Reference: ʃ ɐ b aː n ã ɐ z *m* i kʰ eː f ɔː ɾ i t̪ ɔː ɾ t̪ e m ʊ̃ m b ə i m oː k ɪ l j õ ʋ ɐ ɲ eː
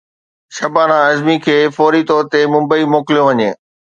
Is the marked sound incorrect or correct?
correct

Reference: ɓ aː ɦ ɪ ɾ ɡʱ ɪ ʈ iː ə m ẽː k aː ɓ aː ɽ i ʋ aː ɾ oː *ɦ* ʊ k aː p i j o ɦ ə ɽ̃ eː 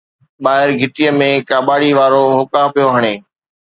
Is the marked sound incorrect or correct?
correct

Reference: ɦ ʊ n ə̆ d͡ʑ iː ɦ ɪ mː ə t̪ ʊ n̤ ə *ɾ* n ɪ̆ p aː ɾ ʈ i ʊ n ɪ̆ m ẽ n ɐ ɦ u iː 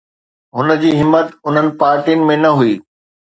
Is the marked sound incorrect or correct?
incorrect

